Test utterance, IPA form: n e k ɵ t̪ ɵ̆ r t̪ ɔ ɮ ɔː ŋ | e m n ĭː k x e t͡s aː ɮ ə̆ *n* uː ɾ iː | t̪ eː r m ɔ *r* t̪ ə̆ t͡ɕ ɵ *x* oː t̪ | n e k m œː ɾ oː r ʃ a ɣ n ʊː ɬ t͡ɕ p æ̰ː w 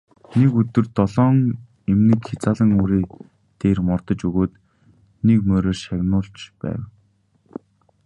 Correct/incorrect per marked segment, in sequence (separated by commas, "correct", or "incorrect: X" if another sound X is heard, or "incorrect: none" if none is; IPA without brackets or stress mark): incorrect: ŋ, correct, incorrect: ɣ